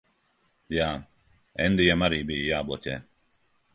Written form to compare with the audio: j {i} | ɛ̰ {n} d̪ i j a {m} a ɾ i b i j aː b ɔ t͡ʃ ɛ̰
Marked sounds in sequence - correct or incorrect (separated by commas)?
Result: incorrect, correct, correct